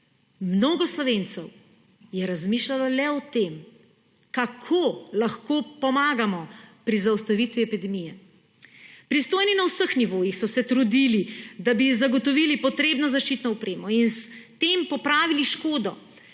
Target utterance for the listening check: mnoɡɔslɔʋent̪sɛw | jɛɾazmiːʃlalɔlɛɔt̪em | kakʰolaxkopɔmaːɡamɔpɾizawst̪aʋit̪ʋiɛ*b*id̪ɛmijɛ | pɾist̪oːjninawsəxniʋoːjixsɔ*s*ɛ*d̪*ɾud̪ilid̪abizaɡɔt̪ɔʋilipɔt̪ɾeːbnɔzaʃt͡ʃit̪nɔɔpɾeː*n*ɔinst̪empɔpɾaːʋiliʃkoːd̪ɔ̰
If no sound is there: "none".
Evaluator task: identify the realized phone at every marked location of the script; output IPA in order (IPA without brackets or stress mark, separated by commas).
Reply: p, s, t̪, m